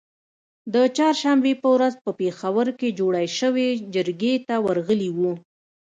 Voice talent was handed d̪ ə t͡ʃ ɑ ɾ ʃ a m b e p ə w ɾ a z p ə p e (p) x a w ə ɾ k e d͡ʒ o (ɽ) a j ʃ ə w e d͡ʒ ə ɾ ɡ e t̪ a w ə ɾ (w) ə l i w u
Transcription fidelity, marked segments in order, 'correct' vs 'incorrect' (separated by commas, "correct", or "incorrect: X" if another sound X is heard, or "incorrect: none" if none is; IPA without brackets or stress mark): incorrect: none, correct, incorrect: ɣ